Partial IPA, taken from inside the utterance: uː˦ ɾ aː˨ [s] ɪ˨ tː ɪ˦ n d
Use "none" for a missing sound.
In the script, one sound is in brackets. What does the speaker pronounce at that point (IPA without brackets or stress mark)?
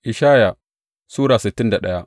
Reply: s